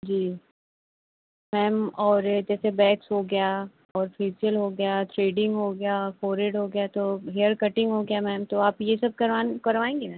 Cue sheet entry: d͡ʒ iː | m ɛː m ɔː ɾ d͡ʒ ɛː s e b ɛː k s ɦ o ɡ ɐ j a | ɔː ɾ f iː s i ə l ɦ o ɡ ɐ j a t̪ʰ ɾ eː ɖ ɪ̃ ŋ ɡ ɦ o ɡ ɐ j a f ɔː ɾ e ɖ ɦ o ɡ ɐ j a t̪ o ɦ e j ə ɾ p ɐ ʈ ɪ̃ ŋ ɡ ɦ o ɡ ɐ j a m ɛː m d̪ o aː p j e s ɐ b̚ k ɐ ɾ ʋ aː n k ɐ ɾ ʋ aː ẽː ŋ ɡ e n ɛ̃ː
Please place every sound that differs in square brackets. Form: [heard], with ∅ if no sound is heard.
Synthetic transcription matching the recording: d͡ʒ iː | m ɛː m ɔː ɾ d͡ʒ ɛː s e b ɛː k s ɦ o ɡ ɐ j a | ɔː ɾ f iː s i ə l ɦ o ɡ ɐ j a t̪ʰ ɾ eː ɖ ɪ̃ ŋ ɡ ɦ o ɡ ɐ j a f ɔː ɾ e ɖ ɦ o ɡ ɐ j a t̪ o ɦ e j ə ɾ [k] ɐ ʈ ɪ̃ ŋ ɡ ɦ o ɡ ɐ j a m ɛː m [t̪] o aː p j e s ɐ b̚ k ɐ ɾ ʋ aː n k ɐ ɾ ʋ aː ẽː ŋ ɡ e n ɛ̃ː